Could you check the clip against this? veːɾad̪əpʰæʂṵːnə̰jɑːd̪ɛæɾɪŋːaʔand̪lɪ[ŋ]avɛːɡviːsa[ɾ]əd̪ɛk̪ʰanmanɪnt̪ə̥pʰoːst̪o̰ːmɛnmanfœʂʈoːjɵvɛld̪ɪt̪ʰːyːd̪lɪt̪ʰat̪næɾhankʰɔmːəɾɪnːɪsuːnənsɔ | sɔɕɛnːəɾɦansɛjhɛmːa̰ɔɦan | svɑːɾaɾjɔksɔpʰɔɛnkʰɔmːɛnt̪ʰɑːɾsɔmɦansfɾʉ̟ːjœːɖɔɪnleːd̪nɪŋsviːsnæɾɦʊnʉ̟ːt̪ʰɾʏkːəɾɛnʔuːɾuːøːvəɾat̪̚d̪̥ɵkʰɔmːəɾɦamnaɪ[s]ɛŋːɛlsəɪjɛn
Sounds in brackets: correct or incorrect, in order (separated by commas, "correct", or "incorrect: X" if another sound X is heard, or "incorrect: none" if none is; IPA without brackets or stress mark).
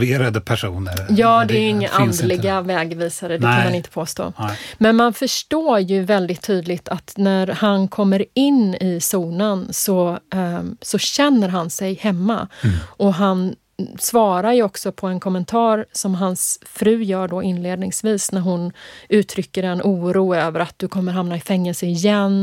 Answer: incorrect: ɡ, correct, incorrect: f